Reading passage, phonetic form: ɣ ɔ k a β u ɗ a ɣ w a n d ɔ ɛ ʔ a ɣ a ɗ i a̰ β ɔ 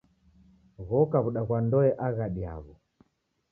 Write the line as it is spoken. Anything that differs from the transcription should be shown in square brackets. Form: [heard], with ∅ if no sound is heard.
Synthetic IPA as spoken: ɣ ɔ k a β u ɗ a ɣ w a n d ɔ ɛ ʔ a ɣ a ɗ i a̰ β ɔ